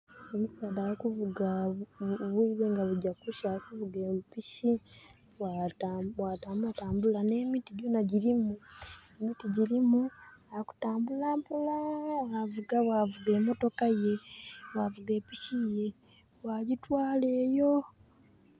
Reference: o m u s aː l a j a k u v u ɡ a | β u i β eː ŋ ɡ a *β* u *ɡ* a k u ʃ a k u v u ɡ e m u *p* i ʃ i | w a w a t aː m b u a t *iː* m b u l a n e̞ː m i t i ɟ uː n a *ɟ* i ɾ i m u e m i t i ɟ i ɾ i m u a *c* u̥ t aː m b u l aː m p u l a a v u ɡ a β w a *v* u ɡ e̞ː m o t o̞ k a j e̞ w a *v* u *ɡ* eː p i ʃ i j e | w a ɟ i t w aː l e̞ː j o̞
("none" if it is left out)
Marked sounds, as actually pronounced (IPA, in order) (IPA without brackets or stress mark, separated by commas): β, ɟ, p, aː, ɟ, k, v, v, ɡ